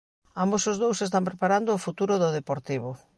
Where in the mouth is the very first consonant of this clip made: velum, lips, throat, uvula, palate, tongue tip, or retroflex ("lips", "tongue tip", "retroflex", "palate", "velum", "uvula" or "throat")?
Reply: lips